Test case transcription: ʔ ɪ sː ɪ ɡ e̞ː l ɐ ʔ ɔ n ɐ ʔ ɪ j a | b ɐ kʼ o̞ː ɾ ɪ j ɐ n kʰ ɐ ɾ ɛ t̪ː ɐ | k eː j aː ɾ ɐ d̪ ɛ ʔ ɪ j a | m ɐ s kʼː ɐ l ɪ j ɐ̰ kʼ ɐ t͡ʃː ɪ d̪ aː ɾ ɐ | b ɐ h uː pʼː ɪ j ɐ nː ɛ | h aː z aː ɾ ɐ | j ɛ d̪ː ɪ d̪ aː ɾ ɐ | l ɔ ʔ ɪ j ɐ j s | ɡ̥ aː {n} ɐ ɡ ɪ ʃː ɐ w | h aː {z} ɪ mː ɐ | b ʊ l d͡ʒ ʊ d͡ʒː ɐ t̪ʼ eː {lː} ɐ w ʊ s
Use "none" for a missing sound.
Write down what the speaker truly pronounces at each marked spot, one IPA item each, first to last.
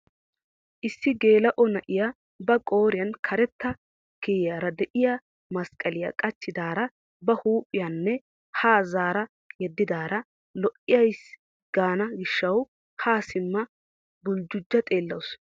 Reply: n, s, lː

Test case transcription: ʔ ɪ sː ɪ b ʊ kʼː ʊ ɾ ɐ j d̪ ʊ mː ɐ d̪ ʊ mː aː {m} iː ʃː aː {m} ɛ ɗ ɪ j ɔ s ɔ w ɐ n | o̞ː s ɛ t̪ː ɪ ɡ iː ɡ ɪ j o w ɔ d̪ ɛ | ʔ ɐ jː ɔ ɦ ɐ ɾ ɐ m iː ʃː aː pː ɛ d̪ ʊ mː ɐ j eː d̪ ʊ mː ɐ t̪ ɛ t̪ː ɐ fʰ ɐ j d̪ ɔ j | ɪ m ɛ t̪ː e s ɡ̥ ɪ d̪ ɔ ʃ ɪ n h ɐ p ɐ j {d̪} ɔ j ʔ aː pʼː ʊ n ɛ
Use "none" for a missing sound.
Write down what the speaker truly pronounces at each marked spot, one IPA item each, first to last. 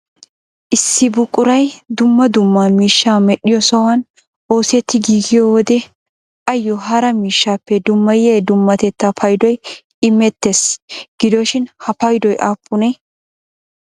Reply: m, m, d̪

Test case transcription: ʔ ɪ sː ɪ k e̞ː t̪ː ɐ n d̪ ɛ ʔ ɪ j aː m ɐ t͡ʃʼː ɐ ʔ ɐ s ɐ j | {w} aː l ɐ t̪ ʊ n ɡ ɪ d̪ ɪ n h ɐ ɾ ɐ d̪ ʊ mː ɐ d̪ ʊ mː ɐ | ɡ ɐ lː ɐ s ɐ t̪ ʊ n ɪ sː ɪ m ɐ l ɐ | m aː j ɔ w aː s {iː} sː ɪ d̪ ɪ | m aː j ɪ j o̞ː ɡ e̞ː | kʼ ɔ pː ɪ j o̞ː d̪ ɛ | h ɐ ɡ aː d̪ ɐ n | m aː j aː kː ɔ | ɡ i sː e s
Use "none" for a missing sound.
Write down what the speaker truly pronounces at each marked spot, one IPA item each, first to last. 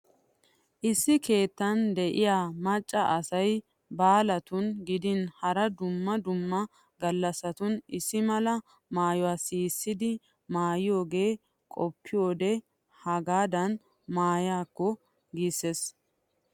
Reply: b, iː

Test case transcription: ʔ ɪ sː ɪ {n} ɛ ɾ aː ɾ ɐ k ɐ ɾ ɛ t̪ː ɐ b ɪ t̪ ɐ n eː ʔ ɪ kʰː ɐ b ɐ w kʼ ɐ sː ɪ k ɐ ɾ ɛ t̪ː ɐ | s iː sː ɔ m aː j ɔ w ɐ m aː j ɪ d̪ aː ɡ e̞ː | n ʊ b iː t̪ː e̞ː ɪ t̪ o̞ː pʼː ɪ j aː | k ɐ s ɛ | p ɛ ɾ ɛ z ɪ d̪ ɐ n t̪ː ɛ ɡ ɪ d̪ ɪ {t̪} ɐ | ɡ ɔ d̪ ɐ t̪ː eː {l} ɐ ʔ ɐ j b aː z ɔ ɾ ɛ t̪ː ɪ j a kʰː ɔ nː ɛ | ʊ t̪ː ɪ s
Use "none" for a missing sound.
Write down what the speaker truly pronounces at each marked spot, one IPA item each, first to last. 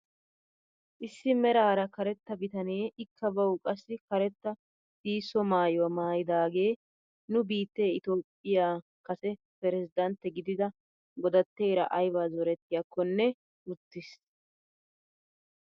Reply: m, d̪, ɾ

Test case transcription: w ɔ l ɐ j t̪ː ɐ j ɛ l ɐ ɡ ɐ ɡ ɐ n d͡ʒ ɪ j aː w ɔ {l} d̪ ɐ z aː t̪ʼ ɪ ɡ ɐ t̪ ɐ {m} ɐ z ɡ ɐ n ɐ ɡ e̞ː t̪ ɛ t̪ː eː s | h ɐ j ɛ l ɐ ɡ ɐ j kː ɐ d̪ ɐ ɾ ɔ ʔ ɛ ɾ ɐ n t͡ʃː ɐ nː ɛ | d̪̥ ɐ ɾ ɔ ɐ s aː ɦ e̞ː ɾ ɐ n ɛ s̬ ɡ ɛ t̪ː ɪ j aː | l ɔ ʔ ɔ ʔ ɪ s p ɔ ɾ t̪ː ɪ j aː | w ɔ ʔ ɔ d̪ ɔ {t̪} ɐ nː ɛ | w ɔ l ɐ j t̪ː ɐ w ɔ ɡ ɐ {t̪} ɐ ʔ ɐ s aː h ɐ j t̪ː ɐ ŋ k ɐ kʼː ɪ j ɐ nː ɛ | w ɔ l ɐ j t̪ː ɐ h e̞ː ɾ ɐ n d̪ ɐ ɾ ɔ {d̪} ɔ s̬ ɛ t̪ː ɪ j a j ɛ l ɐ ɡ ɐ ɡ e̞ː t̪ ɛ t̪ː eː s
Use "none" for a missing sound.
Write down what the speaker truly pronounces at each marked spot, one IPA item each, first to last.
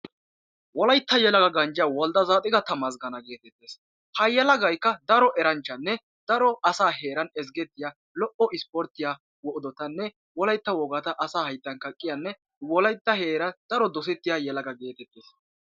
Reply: l, m, t̪, t̪, d̪

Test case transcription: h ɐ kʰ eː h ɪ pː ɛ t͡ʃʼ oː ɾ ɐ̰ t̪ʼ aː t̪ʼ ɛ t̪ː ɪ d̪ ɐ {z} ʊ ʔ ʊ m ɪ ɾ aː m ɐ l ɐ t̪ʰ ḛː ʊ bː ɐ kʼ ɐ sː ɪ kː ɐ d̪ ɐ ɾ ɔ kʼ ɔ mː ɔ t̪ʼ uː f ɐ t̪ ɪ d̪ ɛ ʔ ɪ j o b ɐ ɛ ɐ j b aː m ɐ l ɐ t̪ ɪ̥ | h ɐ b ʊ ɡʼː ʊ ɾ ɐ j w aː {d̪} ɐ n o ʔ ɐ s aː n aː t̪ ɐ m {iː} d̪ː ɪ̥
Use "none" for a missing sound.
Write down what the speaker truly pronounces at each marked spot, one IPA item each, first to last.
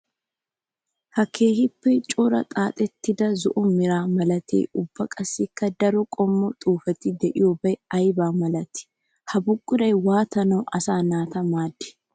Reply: z, t̪, aː

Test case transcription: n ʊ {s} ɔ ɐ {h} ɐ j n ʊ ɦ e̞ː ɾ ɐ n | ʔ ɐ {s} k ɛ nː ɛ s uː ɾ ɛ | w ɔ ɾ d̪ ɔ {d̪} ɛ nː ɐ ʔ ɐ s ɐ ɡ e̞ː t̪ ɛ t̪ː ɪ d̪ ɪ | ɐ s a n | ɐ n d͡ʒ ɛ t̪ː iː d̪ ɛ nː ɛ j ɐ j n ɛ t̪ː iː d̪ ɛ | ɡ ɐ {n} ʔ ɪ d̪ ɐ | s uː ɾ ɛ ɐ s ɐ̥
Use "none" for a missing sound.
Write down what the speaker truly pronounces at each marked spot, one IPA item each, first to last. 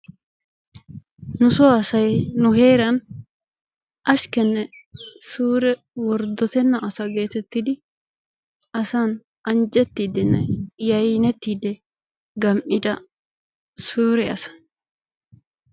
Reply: s, s, ʃ, t̪, m

